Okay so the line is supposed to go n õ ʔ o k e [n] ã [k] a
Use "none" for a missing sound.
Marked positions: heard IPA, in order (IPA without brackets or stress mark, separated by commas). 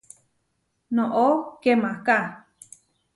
m, k